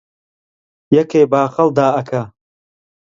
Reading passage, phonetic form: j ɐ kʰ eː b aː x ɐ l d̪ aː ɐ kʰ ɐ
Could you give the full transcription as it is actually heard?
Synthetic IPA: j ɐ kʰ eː b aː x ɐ l d̪ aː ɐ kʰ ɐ